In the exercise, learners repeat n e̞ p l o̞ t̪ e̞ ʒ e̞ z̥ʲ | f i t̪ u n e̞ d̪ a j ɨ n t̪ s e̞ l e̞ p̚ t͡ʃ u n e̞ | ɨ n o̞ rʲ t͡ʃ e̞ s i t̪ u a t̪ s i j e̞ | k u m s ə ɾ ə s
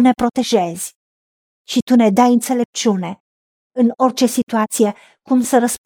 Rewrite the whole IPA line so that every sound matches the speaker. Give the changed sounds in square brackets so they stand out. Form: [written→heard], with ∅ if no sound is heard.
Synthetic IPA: n e̞ p [l→ɾ] o̞ t̪ e̞ ʒ e̞ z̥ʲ | [f→ʃ] i t̪ u n e̞ d̪ a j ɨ n t̪ s e̞ l e̞ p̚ t͡ʃ u n e̞ | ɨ n o̞ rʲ t͡ʃ e̞ s i t̪ u a t̪ s i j e̞ | k u m s ə ɾ ə s